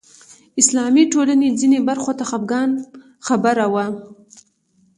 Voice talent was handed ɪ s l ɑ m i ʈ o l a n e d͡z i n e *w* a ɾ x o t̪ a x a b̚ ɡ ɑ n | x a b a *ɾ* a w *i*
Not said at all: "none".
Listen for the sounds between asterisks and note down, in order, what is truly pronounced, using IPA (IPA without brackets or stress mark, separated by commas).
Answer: b, ɾ, a